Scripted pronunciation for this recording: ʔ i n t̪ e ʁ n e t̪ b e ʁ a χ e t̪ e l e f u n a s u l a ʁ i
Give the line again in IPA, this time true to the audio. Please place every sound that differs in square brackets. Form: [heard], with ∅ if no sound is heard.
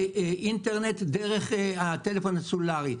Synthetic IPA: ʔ i n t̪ e ʁ n e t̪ [d] e ʁ [e] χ [a] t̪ e l e f [o] n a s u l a ʁ i

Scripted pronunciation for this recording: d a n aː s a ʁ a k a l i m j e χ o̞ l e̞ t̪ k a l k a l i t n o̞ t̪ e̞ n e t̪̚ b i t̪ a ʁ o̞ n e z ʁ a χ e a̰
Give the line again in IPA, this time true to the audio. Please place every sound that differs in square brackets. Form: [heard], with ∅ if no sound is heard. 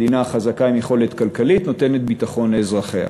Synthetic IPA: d [i] n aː [χ] a [z] a k a [∅] i m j e χ o̞ l e̞ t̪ k a l k a l i t n o̞ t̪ e̞ n e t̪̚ b i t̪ a [χ] o̞ n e z ʁ a χ e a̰

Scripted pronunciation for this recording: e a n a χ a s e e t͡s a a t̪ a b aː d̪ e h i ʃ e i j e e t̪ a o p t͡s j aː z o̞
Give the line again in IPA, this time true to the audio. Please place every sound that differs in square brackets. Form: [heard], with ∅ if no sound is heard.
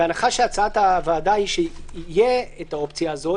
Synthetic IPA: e a n a χ a [ʃ] e [a] t͡s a a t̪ a [v] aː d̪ [a] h i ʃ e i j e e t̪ a o p t͡s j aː z o̞

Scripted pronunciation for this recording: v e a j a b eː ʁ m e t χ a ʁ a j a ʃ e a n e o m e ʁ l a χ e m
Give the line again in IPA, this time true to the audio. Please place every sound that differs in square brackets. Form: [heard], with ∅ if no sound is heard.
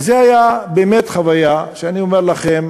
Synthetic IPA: [z] e a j a b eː [∅] m e t χ a [v] a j a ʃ e a n [i] o m e ʁ l a χ e m

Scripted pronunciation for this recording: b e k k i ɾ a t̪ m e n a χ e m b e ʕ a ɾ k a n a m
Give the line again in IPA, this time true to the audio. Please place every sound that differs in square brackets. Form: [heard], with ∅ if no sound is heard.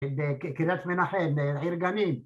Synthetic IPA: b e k k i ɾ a t̪ m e n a [ħ] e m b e ʕ [i] ɾ [ɡ] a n [i] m

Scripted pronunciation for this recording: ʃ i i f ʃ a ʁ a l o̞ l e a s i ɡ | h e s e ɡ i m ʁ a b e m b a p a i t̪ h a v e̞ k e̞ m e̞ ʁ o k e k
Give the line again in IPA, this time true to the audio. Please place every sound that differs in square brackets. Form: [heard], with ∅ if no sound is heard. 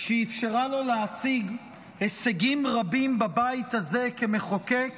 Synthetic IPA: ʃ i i f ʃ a ʁ a l o̞ l e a s i ɡ | h e s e ɡ i m ʁ a b [i] m b a [b] a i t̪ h a [z] e̞ k e̞ m e̞ [χ] o k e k

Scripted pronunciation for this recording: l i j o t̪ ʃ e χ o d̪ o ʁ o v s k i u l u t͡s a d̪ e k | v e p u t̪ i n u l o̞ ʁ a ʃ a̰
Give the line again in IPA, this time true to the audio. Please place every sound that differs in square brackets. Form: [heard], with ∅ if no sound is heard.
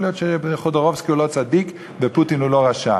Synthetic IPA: l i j o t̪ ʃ e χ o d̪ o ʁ o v s k i u l [o] t͡s a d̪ [i] k | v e p u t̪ i n u l o̞ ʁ a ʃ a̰

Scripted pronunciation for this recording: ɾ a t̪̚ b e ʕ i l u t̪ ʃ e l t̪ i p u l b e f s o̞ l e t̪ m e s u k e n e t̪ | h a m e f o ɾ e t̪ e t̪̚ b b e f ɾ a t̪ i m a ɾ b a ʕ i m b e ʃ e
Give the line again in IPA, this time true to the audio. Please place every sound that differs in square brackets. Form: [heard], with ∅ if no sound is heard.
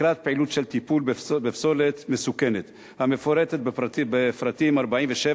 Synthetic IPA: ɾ a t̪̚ [p] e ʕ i l u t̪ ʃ e l t̪ i p u l b e f s o̞ l e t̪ m e s u k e n e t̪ | h a m e f o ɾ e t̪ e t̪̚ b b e f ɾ a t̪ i m a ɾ b a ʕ i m [v] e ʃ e

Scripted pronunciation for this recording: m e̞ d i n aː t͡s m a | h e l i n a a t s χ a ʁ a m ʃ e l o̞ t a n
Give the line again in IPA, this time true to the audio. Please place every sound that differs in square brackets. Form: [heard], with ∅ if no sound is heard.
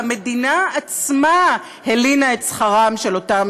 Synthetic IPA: m e̞ d i n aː t͡s m a | h e l i n a [e] t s χ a ʁ a m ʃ e l o̞ t a [m]

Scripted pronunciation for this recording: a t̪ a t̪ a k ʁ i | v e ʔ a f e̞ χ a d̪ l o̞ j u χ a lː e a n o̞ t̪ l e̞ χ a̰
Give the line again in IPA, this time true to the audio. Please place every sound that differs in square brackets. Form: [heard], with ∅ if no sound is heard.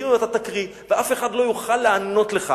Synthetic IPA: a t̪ a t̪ a k ʁ i | v e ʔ a f e̞ χ a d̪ l o̞ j u χ a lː e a n o̞ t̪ l e̞ χ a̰

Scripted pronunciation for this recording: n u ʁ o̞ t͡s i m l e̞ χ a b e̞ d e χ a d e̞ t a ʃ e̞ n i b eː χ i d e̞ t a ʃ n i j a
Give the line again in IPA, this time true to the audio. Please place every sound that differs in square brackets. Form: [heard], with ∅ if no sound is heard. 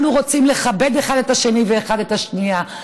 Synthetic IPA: n u ʁ o̞ t͡s i m l e̞ χ a b e̞ d e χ a d e̞ t a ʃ e̞ n i [v] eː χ [a] d e̞ t a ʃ n i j a

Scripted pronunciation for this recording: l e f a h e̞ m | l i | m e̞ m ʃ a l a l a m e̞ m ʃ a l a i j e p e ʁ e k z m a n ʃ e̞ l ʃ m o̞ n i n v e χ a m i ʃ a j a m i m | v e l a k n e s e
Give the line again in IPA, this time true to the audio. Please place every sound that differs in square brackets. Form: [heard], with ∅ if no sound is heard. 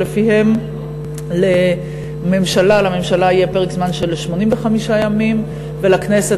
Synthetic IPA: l e f [i] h e̞ m | l [e] | m e̞ m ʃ a l a l a m e̞ m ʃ a l a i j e p e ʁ e k z m a n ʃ e̞ l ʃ m o̞ n i [m] v e χ a m i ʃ a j a m i m | v e l a k n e s e

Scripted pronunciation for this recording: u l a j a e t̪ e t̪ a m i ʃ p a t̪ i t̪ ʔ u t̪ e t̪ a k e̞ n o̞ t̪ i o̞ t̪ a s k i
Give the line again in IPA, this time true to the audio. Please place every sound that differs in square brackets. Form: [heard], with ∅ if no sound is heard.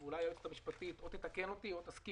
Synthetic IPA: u l a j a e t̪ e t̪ a m i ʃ p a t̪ i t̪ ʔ [o] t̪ e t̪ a k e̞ n o̞ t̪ i o̞ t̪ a s k i

